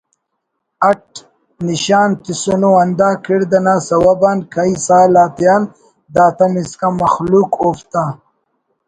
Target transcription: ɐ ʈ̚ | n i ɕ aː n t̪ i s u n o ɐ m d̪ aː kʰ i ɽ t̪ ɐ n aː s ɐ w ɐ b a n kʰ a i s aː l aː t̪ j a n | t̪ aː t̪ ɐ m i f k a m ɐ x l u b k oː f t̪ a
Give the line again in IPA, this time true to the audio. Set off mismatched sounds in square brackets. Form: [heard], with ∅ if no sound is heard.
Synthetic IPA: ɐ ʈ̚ | n i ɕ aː n t̪ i s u n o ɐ [n] d̪ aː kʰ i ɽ [d̪] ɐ n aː s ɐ w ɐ b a n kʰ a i s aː l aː t̪ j a n | [d̪] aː t̪ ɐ m i [s] k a m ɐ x l u [∅] k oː f t̪ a